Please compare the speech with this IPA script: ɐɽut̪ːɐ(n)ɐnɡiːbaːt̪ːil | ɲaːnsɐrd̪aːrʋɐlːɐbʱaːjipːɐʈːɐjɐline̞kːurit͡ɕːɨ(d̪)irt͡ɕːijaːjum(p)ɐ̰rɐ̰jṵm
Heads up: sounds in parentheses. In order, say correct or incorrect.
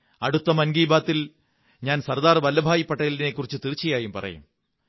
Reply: incorrect: m, incorrect: t̪, correct

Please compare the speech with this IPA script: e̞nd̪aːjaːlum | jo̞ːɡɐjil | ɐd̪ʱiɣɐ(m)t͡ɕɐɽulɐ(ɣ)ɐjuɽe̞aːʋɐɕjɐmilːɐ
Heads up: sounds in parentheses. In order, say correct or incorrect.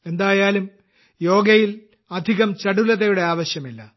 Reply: correct, incorrect: ð

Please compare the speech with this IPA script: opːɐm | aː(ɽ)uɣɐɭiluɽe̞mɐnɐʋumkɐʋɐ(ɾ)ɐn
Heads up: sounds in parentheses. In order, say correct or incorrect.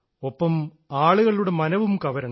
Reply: incorrect: ɭ, correct

